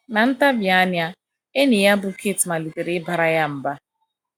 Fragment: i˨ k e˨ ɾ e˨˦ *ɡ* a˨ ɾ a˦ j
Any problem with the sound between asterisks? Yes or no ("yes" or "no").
yes